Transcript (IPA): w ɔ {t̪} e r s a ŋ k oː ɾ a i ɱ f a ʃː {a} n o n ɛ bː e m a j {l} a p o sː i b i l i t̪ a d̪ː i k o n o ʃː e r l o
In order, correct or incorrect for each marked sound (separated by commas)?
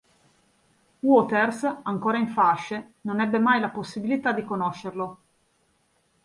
correct, incorrect, correct